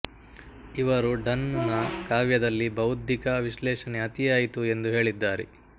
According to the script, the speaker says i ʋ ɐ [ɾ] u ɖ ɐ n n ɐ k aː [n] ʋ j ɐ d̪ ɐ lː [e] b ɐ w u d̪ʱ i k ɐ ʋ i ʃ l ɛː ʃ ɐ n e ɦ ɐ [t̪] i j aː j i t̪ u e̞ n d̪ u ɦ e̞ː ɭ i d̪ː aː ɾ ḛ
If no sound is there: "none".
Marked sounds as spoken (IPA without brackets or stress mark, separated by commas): ɾ, none, i, t̪